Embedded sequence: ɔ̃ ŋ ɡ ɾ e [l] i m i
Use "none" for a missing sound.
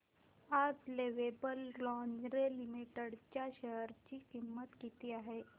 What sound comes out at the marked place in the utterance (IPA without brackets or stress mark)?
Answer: l